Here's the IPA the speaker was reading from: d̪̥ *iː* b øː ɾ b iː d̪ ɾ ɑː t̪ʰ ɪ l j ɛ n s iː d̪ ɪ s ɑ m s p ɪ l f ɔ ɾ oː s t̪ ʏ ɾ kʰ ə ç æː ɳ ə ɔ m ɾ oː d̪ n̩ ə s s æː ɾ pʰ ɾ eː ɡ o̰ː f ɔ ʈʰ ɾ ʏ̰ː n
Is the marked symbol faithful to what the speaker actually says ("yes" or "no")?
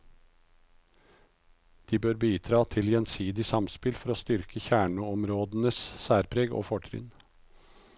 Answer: yes